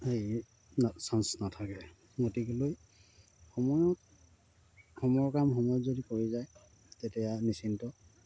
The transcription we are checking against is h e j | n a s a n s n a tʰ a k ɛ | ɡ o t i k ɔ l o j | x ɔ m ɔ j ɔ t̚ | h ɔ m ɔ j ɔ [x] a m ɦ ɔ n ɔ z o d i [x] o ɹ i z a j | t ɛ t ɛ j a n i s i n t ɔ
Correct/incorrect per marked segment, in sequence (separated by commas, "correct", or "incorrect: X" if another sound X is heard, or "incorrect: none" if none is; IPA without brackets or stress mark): incorrect: k, incorrect: k